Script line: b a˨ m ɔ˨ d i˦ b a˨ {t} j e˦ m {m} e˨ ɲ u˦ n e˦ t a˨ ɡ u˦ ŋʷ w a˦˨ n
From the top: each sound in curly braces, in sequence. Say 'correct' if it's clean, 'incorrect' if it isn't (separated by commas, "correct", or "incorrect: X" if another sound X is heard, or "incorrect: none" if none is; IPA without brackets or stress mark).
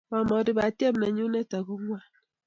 correct, incorrect: n